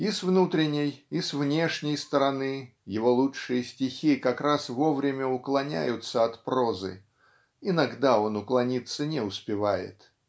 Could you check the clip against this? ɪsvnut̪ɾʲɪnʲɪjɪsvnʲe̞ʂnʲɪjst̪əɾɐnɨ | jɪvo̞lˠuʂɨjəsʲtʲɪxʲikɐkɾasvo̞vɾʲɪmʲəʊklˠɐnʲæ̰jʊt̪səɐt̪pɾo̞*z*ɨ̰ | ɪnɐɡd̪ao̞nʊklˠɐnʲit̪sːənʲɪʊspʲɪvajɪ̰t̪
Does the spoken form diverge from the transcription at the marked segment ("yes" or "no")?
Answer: no